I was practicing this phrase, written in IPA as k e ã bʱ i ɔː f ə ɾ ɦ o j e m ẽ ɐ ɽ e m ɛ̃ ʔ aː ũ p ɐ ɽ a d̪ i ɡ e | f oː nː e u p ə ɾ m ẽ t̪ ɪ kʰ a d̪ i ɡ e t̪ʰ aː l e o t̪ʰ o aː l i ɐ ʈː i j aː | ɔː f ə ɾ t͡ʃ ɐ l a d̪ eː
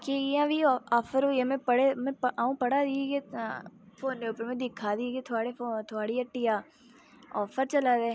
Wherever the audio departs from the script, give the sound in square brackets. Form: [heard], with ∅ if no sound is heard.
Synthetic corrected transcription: k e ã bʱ i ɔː f ə ɾ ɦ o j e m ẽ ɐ ɽ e m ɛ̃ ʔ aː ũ p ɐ ɽ a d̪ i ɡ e | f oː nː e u p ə ɾ m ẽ [d̪] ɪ kʰ a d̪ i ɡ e t̪ʰ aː [ɽ] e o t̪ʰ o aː [ɽ] i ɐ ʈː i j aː | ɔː f ə ɾ t͡ʃ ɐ l a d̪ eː

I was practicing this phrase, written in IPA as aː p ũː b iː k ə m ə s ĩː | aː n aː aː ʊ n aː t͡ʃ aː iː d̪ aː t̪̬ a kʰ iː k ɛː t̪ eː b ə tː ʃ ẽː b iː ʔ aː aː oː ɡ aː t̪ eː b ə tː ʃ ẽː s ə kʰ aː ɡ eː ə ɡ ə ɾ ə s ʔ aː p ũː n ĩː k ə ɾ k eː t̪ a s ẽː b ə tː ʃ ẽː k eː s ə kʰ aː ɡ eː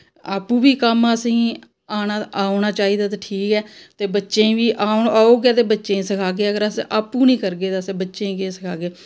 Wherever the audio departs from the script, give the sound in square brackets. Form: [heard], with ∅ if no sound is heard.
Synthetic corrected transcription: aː p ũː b iː k ə m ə s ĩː | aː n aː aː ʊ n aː t͡ʃ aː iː d̪ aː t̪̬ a [ʈʰ] iː k ɛː t̪ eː b ə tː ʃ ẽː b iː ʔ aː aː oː ɡ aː t̪ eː b ə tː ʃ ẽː s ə kʰ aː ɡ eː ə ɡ ə ɾ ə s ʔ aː p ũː n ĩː k ə ɾ [ɡ] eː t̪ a s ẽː b ə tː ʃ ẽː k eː s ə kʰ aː ɡ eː

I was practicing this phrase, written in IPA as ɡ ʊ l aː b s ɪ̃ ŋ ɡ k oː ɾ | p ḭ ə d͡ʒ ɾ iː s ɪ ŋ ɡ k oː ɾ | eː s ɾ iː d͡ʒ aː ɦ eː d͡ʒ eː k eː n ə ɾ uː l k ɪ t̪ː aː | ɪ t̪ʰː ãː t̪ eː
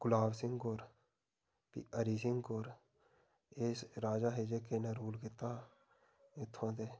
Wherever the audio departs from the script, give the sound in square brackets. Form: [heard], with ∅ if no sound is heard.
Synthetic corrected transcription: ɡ ʊ l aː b s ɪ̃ ŋ ɡ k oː ɾ | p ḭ ə [∅] ɾ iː s ɪ ŋ ɡ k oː ɾ | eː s ɾ [aː] d͡ʒ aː ɦ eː d͡ʒ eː k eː n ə ɾ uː l k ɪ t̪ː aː | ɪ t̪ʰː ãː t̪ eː

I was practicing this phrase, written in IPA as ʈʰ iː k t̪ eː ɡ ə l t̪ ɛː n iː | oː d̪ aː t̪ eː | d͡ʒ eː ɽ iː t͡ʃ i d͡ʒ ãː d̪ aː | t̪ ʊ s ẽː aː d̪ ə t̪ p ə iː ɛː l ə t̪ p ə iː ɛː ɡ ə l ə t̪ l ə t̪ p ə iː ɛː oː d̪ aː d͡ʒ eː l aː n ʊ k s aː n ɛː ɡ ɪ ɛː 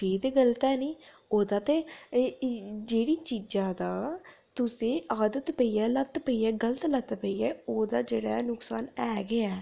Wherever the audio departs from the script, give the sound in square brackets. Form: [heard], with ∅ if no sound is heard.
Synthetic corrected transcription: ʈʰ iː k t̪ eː ɡ ə l t̪ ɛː n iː | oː d̪ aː t̪ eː | d͡ʒ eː ɽ iː t͡ʃ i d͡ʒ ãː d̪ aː | t̪ ʊ s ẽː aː d̪ ə t̪ p ə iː ɛː l ə t̪ p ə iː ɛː ɡ ə l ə t̪ l ə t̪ p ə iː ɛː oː d̪ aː d͡ʒ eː [ɽ] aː n ʊ k s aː n ɛː ɡ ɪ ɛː

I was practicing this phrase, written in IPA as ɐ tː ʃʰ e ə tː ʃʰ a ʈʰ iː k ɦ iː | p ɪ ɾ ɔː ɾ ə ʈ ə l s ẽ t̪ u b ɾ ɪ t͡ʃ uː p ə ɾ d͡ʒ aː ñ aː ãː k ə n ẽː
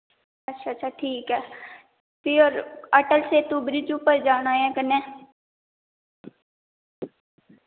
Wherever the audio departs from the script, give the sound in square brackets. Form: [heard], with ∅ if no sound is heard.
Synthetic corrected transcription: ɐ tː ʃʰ [a] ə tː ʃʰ a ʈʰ iː k ɦ [ɛː] | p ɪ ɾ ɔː ɾ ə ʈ ə l s [e] t̪ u b ɾ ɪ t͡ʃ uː p ə ɾ d͡ʒ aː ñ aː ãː k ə n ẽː

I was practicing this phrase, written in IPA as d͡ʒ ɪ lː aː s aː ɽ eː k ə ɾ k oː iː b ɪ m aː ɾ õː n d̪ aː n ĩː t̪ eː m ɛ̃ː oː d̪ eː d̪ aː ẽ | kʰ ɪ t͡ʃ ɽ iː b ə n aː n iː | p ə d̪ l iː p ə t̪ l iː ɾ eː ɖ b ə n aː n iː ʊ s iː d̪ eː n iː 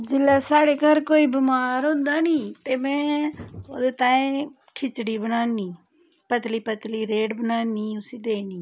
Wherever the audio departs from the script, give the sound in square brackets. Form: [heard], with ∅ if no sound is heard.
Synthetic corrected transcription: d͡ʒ ɪ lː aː s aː ɽ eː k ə ɾ k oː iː b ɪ m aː ɾ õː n d̪ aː n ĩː t̪ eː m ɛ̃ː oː d̪ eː [t̪] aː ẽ | kʰ ɪ t͡ʃ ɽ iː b ə n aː n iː | p ə [t̪] l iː p ə t̪ l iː ɾ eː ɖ b ə n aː n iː ʊ s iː d̪ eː n iː

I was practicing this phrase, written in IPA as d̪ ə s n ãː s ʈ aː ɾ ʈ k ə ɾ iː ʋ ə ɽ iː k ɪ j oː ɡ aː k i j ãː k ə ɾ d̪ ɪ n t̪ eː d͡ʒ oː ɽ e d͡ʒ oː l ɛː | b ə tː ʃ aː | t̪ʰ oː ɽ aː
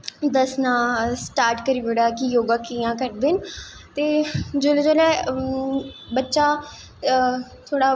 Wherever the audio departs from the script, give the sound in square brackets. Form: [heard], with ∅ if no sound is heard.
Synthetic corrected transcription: d̪ ə s n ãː s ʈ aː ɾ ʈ k ə ɾ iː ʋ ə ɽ [aː] k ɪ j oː ɡ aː k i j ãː k ə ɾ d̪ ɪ n t̪ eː d͡ʒ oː [l] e d͡ʒ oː l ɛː | b ə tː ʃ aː | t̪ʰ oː ɽ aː

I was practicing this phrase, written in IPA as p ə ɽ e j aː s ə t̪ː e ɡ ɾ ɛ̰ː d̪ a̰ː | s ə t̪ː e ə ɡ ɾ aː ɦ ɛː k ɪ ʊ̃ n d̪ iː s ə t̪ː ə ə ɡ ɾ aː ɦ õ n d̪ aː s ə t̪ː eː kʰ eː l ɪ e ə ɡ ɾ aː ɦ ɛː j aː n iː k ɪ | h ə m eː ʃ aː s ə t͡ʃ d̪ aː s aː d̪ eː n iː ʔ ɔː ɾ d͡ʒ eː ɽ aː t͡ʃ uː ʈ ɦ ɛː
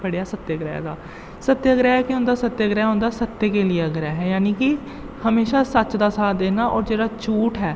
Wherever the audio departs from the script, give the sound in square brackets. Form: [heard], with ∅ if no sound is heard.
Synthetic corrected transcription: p ə ɽ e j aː s ə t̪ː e ɡ ɾ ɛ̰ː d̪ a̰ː | s ə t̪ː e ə ɡ ɾ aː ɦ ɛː k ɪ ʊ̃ n d̪ [aː] s ə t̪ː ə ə ɡ ɾ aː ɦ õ n d̪ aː s ə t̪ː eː [k] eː l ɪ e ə ɡ ɾ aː ɦ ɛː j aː n iː k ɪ | h ə m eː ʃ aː s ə t͡ʃ d̪ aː s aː d̪ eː n [aː] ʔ ɔː ɾ d͡ʒ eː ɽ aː t͡ʃ uː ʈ ɦ ɛː

